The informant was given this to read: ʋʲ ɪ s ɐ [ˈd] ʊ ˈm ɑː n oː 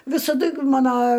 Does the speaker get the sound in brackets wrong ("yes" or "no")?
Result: no